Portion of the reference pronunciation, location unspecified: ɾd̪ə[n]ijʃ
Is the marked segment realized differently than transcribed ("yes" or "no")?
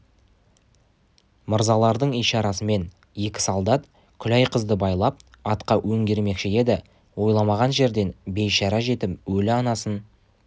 yes